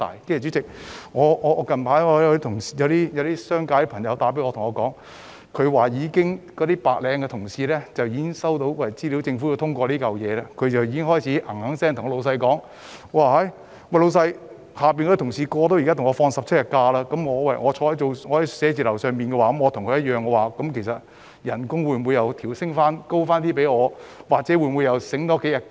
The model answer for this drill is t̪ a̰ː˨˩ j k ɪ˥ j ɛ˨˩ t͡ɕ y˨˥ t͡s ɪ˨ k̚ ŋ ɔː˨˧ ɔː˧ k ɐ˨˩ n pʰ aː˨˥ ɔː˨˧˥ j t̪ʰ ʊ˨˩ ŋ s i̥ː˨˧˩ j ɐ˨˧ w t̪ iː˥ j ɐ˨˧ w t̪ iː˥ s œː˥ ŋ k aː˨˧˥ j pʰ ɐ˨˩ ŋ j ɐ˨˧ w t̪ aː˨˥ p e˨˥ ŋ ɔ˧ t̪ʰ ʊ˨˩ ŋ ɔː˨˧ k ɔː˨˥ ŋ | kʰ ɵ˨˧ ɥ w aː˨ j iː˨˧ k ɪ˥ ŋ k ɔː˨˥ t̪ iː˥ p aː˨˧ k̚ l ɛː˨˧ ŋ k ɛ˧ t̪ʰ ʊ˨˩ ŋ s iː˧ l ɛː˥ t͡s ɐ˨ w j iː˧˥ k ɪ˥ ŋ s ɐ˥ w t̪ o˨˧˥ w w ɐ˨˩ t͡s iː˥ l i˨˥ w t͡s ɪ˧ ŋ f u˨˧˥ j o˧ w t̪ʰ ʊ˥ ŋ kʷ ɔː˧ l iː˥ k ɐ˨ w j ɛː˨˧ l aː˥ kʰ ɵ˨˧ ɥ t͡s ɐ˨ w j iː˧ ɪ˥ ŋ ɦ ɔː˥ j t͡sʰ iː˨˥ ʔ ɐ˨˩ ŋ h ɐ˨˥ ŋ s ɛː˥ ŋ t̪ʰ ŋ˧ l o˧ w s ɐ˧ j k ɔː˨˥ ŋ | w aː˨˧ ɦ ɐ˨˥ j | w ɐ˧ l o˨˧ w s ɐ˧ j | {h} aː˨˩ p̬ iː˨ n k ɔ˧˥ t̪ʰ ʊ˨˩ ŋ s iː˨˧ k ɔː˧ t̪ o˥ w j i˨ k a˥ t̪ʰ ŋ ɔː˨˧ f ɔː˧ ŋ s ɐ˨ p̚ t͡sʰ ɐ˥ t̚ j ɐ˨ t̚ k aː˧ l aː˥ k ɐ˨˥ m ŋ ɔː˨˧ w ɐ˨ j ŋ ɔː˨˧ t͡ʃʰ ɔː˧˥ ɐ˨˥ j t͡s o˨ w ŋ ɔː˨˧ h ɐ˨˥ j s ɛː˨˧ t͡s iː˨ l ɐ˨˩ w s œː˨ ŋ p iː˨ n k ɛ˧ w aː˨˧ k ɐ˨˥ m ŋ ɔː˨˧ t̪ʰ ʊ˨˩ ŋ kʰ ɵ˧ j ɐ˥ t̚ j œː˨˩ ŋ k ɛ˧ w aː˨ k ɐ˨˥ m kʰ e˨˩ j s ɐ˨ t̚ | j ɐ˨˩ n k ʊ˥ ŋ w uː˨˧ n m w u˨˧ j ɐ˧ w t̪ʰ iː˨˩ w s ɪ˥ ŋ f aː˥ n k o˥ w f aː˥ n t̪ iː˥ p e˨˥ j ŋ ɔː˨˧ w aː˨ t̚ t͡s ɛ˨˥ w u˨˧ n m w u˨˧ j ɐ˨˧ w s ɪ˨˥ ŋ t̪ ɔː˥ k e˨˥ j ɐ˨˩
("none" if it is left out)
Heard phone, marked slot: h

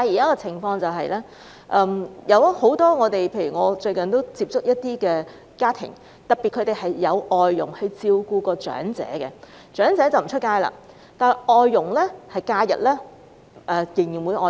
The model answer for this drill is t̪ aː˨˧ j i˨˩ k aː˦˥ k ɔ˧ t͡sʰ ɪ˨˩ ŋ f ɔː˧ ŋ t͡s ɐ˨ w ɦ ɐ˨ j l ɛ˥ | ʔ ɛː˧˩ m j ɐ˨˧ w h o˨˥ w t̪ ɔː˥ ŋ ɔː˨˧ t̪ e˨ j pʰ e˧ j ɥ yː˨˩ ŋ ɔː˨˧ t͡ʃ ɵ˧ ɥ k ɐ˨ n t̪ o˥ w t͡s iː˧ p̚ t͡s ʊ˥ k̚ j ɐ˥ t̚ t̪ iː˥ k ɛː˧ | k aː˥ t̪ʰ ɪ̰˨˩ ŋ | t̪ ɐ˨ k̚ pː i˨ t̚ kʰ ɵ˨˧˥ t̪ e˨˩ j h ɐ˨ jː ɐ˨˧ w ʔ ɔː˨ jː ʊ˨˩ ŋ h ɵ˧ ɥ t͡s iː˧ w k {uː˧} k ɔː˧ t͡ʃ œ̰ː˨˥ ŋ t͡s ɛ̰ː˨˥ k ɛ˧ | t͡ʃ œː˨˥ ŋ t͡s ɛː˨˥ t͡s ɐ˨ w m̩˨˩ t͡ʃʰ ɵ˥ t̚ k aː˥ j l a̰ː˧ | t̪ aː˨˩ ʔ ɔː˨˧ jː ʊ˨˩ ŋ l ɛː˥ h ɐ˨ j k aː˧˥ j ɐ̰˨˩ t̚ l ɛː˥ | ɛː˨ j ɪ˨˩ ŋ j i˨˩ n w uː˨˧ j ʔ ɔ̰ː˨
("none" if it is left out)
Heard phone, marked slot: uː˧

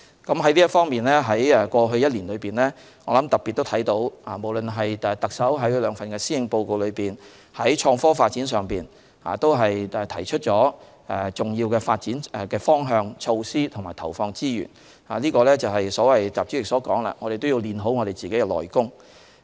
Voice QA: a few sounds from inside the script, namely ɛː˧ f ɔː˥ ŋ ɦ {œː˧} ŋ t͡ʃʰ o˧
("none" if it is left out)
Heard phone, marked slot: œː˧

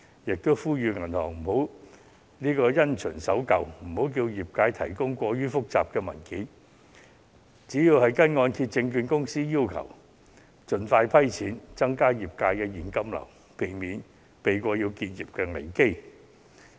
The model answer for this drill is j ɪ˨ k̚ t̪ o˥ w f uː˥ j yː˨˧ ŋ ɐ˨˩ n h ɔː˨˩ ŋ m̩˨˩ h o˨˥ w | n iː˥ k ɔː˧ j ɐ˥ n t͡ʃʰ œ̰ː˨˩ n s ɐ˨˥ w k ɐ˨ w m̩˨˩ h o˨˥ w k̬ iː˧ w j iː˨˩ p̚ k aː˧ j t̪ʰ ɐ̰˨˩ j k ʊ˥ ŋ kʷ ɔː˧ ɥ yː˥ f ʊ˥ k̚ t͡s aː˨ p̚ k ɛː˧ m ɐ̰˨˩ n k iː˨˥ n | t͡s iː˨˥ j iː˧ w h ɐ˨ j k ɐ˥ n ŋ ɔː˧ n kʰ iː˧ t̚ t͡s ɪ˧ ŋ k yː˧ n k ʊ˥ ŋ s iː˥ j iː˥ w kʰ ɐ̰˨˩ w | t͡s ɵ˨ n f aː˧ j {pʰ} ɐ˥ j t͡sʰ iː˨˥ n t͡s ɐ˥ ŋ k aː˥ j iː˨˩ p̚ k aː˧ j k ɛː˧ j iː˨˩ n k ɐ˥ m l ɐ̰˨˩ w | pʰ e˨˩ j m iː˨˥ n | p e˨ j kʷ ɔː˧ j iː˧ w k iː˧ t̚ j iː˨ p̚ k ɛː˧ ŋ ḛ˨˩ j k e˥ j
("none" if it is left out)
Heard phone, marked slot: pʰ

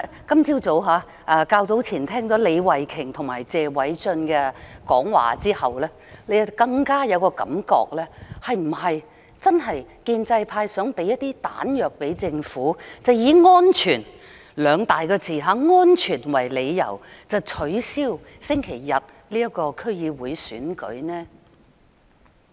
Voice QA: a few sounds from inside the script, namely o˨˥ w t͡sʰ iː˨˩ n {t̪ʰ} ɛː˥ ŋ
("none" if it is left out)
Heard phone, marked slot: t̪ʰ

